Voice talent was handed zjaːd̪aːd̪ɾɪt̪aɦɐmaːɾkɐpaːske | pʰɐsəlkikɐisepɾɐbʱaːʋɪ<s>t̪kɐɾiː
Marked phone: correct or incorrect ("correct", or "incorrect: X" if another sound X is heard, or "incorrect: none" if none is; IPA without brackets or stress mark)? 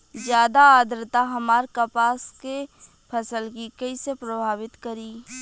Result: incorrect: none